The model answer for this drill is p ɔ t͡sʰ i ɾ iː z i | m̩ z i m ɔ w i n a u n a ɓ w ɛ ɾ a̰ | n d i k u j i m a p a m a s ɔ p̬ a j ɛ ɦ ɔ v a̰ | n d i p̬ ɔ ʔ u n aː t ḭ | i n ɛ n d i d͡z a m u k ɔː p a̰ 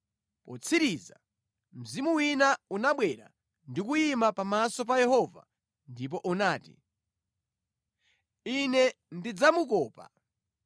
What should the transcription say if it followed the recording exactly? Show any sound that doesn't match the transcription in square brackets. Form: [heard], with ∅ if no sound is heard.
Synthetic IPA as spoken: p ɔ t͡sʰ i ɾ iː z [a] | m̩ z i m [u] w i n a u n a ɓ w ɛ ɾ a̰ | n d i k u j i m a p a m a s ɔ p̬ a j ɛ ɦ ɔ v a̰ | n d i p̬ ɔ ʔ u n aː t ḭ | i n ɛ n d i d͡z a m u k ɔː p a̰